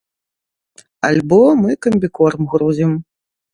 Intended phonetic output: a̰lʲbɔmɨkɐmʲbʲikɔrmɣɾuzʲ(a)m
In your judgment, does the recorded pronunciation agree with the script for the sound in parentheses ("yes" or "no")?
no